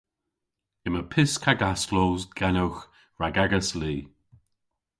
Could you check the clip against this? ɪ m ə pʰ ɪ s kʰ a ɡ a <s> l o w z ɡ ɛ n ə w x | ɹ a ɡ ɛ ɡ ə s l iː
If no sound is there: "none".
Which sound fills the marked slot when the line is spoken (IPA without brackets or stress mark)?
s